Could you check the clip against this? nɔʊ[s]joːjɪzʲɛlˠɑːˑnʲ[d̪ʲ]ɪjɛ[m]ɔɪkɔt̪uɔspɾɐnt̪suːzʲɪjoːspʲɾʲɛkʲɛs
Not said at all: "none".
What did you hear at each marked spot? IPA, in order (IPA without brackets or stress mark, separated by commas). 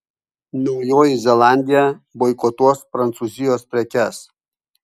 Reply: none, d̪ʲ, b